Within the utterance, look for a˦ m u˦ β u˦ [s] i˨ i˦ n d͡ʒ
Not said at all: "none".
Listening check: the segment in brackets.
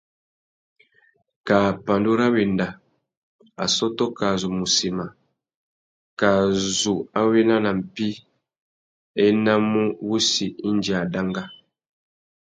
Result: s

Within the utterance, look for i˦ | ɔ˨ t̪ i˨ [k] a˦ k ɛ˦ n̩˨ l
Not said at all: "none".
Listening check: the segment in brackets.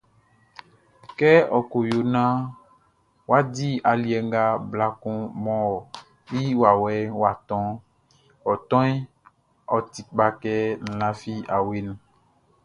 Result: k͡p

